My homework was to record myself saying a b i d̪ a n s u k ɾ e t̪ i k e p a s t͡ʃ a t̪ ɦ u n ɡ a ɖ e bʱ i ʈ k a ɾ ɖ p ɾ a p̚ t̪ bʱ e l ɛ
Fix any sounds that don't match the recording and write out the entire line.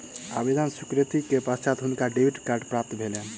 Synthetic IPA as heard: a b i d̪ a n s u k ɾ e t̪ i k e p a s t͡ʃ a t̪ ɦ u n k a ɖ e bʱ i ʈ k a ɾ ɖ p ɾ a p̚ t̪ bʱ e l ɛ